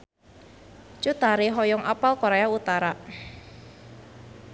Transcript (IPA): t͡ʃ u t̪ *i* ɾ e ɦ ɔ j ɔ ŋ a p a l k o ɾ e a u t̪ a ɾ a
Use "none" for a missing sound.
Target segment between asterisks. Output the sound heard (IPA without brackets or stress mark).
a